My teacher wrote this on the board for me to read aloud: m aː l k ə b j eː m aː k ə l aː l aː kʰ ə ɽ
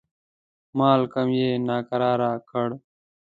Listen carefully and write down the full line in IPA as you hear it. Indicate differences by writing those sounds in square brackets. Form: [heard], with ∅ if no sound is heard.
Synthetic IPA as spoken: m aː l k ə [m] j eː [n] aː k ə [ɾ] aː [ɾ] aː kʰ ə ɽ